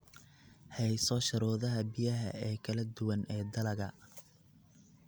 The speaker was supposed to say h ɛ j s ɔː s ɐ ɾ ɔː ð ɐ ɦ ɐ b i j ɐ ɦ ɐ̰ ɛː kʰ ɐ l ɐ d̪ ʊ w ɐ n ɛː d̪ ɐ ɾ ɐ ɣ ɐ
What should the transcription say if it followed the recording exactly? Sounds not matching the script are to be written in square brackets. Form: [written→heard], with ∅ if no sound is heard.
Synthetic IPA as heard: h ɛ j s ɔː [s→ʃ] ɐ ɾ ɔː ð ɐ ɦ ɐ b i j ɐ ɦ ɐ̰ ɛː kʰ ɐ l ɐ d̪ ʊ w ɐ n ɛː d̪ ɐ [ɾ→l] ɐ ɣ ɐ